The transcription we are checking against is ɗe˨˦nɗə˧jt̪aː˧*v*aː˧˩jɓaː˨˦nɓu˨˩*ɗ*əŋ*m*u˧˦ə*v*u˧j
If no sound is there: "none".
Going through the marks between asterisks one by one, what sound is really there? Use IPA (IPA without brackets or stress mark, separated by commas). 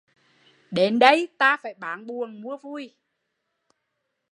f, none, m, v